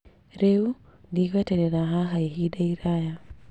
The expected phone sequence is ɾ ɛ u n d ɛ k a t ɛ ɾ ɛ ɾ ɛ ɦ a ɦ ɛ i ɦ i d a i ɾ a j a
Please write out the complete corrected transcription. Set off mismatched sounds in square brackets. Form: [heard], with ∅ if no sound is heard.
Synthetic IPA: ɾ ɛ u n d [i] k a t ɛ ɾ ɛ ɾ [a] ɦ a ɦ [a] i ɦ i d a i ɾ a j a